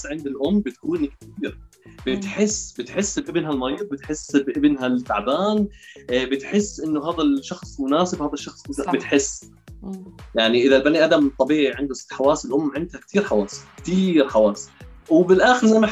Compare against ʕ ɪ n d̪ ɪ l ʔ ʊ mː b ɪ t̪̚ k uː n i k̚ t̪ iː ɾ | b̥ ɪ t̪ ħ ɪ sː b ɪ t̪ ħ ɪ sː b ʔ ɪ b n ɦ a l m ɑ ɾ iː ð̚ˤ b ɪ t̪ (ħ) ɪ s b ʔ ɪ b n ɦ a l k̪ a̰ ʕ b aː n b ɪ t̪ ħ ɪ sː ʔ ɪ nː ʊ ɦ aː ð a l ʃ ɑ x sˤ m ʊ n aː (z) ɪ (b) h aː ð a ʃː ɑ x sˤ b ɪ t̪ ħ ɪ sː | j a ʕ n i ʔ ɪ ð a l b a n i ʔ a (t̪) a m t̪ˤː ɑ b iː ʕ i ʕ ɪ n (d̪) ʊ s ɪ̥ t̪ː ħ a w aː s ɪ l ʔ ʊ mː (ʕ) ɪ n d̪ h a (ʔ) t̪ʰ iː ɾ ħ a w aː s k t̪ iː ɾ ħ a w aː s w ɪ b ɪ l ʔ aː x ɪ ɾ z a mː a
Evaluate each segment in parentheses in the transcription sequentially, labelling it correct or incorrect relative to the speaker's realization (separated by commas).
correct, incorrect, correct, incorrect, correct, correct, incorrect